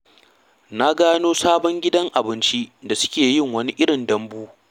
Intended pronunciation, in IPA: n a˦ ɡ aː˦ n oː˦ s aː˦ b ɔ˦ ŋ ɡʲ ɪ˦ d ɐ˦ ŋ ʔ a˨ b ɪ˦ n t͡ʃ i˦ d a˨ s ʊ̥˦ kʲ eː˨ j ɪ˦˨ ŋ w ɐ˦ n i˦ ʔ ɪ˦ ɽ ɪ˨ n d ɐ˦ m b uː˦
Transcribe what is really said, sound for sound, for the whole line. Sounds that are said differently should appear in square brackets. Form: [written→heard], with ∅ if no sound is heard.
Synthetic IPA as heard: n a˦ ɡ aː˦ n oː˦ s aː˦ b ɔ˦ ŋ ɡʲ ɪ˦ d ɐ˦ ŋ ʔ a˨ b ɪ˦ n t͡ʃ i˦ d a˨ s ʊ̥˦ kʲ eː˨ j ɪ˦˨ ŋ w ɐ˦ n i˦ ʔ ɪ˦ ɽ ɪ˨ n d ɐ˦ m b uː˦